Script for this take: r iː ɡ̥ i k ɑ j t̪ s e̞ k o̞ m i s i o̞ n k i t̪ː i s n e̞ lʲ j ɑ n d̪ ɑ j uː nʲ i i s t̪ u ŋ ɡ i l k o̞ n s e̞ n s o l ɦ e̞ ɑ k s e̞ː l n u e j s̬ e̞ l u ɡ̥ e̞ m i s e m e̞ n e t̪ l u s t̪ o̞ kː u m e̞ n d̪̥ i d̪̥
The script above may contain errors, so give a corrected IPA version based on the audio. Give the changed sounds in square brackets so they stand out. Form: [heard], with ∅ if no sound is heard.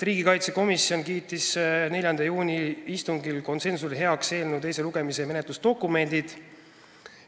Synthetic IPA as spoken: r iː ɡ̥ i k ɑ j t̪ s e̞ k o̞ m i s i o̞ n k [iː] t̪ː i s n e̞ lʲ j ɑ n d̪ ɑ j uː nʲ i i s t̪ u ŋ ɡ i l k o̞ n s e̞ n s [u] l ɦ e̞ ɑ k s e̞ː l n u e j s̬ e̞ l u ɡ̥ e̞ m i s e m e̞ n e t̪ l u s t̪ o̞ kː u m e̞ n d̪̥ i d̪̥